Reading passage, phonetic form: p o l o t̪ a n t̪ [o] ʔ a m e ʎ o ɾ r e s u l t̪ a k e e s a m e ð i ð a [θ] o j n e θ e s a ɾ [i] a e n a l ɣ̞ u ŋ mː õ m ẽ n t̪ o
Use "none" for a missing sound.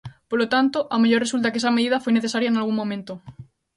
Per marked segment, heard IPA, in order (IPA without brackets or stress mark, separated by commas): o, f, j